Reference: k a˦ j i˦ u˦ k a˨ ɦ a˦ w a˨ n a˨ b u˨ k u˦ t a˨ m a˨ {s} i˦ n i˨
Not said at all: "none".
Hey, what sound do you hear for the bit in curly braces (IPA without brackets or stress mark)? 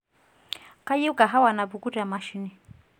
ʃ